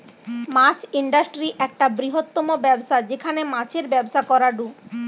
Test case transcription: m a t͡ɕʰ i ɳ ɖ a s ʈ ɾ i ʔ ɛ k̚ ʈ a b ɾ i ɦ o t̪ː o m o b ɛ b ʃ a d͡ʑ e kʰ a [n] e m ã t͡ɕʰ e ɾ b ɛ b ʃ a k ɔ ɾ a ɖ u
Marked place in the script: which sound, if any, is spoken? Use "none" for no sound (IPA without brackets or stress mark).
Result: n